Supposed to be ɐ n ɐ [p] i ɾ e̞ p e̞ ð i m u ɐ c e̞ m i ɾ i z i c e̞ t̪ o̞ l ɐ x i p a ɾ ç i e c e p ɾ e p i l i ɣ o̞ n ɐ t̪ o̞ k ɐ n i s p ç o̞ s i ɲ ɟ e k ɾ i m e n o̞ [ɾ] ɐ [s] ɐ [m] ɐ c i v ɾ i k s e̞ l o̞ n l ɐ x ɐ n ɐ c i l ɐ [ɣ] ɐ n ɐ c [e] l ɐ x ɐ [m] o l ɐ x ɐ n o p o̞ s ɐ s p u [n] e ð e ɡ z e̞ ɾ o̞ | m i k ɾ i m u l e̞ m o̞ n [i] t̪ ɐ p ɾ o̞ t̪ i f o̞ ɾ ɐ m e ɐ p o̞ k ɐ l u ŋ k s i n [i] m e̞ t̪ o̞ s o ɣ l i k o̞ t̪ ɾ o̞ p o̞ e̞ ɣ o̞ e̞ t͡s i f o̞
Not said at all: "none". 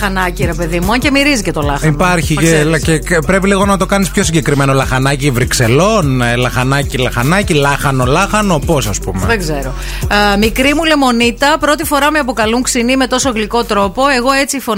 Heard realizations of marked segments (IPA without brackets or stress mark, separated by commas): c, l, x, n, x, i, n, m, i, i